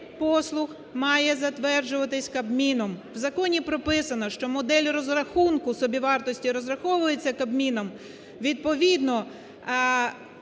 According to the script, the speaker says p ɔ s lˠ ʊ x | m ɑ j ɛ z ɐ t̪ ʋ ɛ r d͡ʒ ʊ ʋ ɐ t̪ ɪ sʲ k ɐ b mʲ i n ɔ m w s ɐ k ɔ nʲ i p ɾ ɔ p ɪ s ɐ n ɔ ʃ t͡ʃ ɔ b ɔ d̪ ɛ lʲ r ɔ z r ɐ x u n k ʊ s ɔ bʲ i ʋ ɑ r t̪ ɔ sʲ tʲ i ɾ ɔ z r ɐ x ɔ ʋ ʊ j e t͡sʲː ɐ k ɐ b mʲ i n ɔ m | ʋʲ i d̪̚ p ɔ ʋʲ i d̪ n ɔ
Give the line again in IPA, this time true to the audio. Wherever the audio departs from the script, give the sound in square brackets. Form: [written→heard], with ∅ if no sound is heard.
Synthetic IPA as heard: p ɔ s lˠ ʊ x | m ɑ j ɛ z ɐ t̪ ʋ ɛ r d͡ʒ ʊ ʋ ɐ t̪ ɪ sʲ k ɐ b mʲ i n ɔ m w [s→z] ɐ k ɔ nʲ i p ɾ ɔ p ɪ s ɐ n ɔ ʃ t͡ʃ ɔ [b→m] ɔ d̪ ɛ lʲ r ɔ z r ɐ x u n k ʊ s ɔ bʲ i ʋ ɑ r t̪ ɔ sʲ tʲ i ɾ ɔ z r ɐ x ɔ ʋ ʊ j e t͡sʲː ɐ k ɐ b mʲ i n ɔ m | ʋʲ i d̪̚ p ɔ ʋʲ i d̪ n ɔ

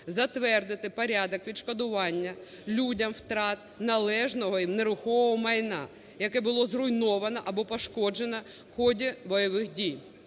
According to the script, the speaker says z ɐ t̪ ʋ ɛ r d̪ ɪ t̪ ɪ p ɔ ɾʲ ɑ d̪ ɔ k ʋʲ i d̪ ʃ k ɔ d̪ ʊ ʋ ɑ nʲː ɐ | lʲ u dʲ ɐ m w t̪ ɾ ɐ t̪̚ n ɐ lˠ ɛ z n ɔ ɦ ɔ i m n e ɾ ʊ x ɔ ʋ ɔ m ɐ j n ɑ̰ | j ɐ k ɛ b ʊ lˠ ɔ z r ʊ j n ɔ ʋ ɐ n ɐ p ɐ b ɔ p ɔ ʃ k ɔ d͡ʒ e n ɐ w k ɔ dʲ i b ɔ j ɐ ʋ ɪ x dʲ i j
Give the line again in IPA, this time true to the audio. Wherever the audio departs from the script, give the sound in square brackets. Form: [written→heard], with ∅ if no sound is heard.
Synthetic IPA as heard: z ɐ t̪ ʋ ɛ r d̪ ɪ t̪ ɪ p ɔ ɾʲ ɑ d̪ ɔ k ʋʲ i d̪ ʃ k ɔ d̪ ʊ ʋ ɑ nʲː ɐ | lʲ u dʲ ɐ m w t̪ ɾ [ɐ→ɑ] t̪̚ n ɐ lˠ ɛ [z→ʒ] n ɔ ɦ ɔ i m n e ɾ ʊ x ɔ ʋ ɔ m ɐ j n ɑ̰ | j ɐ k ɛ b ʊ lˠ ɔ z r ʊ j n ɔ ʋ ɐ n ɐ [p→ʔ] ɐ b ɔ p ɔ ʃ k ɔ d͡ʒ e n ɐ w [k→x] ɔ dʲ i b ɔ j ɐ ʋ ɪ x dʲ i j

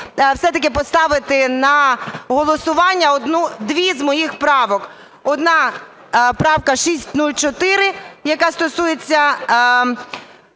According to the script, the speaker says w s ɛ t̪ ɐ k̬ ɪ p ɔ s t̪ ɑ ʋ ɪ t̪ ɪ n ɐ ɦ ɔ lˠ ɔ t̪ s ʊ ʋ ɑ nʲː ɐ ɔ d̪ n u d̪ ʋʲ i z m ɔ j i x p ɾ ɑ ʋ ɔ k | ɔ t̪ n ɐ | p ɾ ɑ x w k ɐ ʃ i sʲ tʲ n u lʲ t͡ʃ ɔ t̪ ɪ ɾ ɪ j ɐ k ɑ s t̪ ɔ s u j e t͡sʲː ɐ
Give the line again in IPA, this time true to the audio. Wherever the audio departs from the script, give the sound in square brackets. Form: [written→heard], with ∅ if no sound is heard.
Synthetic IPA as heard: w s ɛ t̪ ɐ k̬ ɪ p ɔ s t̪ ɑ ʋ ɪ t̪ ɪ n ɐ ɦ ɔ lˠ ɔ [t̪→∅] s ʊ ʋ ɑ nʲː ɐ ɔ d̪ n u d̪ ʋʲ i z m ɔ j i x p ɾ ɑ ʋ ɔ k | ɔ [t̪→d̪] n [ɐ→ɑ] | p ɾ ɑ [x→∅] w k ɐ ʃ i sʲ tʲ n u lʲ t͡ʃ ɔ t̪ ɪ ɾ ɪ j ɐ k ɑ s t̪ ɔ s u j e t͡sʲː ɐ

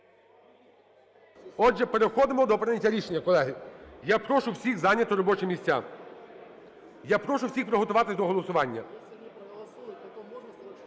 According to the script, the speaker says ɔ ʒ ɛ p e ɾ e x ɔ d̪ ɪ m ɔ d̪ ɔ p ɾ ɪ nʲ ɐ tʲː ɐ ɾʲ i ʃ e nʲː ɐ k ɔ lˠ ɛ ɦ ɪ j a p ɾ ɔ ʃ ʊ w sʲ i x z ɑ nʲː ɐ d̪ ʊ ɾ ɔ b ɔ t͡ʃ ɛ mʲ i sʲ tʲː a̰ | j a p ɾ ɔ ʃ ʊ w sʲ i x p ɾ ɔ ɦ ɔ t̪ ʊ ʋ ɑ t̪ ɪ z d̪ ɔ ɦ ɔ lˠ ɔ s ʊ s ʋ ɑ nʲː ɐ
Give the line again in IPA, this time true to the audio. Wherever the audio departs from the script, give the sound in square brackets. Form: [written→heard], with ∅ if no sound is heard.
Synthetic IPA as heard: ɔ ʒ ɛ p e ɾ e x ɔ d̪ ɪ m ɔ d̪ ɔ p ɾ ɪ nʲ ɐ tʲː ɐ ɾʲ i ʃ e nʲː ɐ k ɔ lˠ ɛ ɦ ɪ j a p ɾ ɔ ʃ ʊ w sʲ i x z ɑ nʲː ɐ [d̪→t̪] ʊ ɾ ɔ b ɔ t͡ʃ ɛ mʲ i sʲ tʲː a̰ | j a p ɾ ɔ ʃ ʊ w sʲ i x p ɾ ɔ ɦ ɔ t̪ ʊ ʋ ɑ t̪ ɪ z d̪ ɔ ɦ ɔ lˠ ɔ s ʊ [s→∅] ʋ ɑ nʲː ɐ

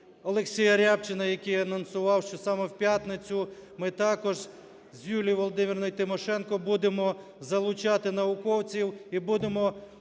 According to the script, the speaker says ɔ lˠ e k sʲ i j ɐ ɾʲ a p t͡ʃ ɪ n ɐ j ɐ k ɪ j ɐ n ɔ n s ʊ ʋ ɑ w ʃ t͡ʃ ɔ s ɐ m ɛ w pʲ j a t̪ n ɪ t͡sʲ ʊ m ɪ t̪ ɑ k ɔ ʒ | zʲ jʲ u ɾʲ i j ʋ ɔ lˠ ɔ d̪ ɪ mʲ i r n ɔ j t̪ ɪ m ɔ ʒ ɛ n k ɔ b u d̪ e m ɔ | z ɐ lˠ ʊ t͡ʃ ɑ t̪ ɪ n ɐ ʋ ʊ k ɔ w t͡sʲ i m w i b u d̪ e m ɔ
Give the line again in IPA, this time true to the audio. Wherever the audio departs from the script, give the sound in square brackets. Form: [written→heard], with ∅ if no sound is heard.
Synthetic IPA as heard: ɔ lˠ e k sʲ i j ɐ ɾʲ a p t͡ʃ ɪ n ɐ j ɐ k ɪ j ɐ n ɔ n s ʊ ʋ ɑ w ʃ t͡ʃ ɔ s [ɐ→ɑ] m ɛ w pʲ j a t̪ n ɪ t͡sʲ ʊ m ɪ t̪ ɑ k ɔ ʒ | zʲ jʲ u [ɾʲ→lʲ] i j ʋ ɔ lˠ ɔ d̪ ɪ mʲ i r n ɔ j t̪ ɪ m ɔ [ʒ→ʃ] ɛ n k ɔ b u d̪ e m ɔ | z ɐ lˠ ʊ t͡ʃ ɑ t̪ ɪ n ɐ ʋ ʊ k ɔ w t͡sʲ i [m→∅] w i b u d̪ e m ɔ

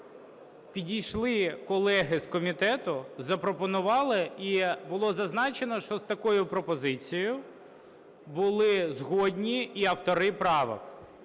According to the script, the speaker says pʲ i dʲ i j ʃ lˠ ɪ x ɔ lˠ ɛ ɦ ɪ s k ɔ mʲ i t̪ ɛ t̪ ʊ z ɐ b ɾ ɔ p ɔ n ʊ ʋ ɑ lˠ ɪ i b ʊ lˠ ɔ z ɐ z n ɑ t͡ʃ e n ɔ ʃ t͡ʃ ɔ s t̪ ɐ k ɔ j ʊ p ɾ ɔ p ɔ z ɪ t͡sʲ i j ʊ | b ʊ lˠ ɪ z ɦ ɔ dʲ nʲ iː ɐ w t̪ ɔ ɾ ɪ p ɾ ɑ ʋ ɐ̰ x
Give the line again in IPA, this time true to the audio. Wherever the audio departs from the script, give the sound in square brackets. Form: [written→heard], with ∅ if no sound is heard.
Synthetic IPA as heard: pʲ i dʲ i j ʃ lˠ ɪ [x→k] ɔ lˠ ɛ ɦ ɪ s k ɔ mʲ i t̪ ɛ t̪ ʊ z ɐ [b→p] ɾ ɔ p ɔ n ʊ ʋ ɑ lˠ ɪ i b ʊ lˠ ɔ z ɐ z n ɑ t͡ʃ e n ɔ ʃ t͡ʃ ɔ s t̪ ɐ k ɔ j ʊ p ɾ ɔ p ɔ z ɪ t͡sʲ i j ʊ | b ʊ lˠ ɪ z ɦ ɔ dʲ nʲ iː ɐ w t̪ ɔ ɾ ɪ p ɾ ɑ ʋ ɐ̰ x

